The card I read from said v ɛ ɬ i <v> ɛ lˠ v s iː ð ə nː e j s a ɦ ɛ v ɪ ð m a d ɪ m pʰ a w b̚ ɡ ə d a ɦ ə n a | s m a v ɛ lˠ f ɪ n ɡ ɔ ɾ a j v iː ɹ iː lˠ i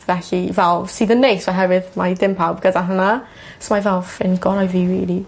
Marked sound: correct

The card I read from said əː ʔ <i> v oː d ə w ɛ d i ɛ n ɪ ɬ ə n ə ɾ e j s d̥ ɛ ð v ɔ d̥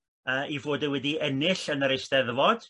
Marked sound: correct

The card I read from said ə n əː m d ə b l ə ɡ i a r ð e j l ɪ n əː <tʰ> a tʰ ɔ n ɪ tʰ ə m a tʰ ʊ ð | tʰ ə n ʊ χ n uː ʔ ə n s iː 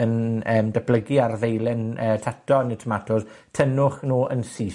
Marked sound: correct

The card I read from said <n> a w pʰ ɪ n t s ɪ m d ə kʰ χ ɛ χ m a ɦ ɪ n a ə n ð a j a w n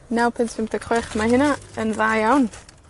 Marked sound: correct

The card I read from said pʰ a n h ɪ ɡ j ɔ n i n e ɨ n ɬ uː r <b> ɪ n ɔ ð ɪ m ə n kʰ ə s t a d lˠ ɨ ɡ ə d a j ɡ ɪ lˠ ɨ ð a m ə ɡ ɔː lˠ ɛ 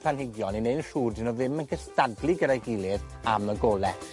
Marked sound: incorrect: d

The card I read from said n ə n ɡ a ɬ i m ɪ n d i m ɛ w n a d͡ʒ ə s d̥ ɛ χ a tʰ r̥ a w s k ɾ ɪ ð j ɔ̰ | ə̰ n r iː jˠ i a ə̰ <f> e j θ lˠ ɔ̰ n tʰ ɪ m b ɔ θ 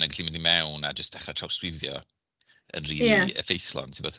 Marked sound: correct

